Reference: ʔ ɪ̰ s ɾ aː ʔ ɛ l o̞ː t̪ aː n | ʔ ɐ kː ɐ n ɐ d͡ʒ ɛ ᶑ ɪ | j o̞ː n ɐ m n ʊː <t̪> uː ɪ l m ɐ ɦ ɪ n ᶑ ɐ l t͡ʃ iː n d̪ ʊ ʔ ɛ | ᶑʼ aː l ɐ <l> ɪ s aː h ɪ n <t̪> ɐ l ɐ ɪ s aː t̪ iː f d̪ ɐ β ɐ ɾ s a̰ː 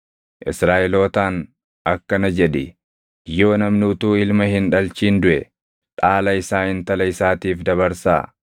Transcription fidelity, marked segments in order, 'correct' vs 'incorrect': correct, incorrect: none, correct

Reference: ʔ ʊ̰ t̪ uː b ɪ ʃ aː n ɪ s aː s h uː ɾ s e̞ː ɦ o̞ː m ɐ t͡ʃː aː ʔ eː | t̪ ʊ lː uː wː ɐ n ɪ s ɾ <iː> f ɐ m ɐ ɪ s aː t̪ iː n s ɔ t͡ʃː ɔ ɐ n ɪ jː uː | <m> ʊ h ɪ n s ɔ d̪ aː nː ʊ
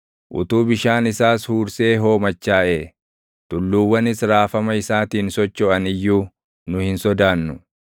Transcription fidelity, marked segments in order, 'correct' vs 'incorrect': incorrect: aː, incorrect: n

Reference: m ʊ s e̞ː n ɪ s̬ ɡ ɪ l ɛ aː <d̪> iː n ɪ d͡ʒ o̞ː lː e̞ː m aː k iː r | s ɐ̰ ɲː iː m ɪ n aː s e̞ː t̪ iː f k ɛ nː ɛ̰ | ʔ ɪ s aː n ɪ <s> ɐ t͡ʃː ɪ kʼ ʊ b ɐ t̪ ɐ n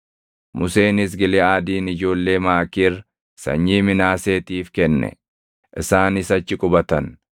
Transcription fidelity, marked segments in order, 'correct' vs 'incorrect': correct, correct

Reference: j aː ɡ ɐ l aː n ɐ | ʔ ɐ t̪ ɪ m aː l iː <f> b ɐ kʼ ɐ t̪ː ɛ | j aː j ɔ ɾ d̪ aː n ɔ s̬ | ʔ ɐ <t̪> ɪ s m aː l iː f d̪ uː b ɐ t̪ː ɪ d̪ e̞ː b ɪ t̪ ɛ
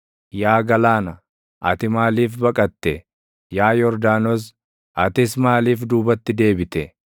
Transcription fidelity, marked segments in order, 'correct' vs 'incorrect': correct, correct

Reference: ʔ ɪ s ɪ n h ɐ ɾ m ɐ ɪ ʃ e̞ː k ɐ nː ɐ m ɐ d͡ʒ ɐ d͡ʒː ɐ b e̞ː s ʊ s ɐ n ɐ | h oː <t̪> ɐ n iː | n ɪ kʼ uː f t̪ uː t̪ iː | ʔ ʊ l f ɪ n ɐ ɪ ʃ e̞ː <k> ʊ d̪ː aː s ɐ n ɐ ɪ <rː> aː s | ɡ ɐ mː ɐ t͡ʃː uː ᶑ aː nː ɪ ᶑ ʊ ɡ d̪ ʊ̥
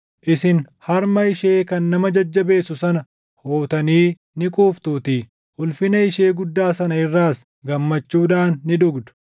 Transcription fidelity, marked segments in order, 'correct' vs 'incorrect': correct, incorrect: ɡ, correct

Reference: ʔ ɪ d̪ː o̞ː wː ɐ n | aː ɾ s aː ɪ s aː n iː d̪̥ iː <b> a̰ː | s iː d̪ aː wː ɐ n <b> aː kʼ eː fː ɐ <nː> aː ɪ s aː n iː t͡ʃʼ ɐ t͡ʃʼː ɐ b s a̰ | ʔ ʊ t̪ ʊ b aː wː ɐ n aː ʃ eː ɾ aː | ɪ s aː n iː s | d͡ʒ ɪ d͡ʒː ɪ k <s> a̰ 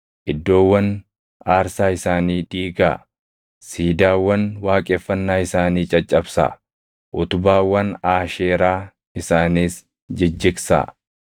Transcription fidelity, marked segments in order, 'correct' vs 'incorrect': incorrect: ɡ, incorrect: w, correct, correct

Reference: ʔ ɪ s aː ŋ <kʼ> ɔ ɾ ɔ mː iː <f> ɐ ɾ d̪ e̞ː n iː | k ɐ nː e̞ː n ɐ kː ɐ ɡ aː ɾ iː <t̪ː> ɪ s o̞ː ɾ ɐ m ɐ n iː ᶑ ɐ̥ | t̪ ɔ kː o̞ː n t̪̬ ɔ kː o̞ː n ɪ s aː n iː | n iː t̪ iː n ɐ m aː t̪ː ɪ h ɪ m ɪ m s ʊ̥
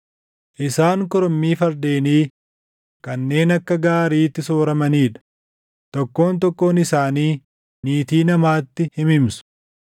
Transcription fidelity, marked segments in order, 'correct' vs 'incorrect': incorrect: k, correct, correct

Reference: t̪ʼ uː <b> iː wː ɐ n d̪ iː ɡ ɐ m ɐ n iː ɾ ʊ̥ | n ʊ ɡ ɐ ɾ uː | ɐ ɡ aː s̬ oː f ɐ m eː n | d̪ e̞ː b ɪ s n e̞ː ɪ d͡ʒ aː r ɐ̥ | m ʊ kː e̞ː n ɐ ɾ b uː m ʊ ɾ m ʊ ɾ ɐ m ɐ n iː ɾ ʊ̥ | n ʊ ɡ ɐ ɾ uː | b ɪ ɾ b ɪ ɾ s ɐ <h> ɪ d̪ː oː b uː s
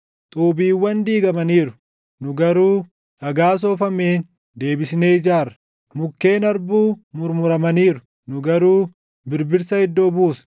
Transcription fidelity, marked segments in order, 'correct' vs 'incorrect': correct, correct

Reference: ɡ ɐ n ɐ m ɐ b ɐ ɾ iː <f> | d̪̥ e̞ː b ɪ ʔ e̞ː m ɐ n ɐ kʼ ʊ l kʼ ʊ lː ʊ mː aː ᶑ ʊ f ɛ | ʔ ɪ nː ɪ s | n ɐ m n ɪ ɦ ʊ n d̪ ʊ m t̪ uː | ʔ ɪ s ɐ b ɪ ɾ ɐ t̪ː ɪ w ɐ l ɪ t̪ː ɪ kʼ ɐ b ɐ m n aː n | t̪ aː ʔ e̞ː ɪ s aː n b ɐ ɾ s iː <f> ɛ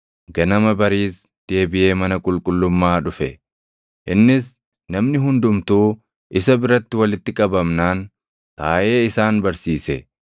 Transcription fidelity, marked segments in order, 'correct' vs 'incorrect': incorrect: s, incorrect: s

